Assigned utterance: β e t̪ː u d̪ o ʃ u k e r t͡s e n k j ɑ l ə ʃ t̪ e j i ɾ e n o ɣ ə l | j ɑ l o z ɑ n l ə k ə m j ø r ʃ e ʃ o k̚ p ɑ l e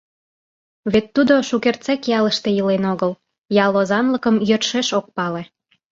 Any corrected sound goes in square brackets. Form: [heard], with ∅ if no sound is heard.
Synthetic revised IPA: β e t̪ː u d̪ o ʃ u k e r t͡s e [∅] k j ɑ l ə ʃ t̪ e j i [l] e n o ɣ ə l | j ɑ l o z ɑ n l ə k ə m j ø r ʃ e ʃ o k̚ p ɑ l e